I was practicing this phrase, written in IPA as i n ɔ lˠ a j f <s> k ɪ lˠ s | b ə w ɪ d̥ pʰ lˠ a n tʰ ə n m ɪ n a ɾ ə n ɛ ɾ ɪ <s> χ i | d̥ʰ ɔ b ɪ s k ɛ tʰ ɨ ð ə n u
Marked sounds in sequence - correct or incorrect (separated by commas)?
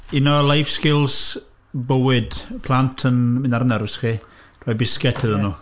correct, correct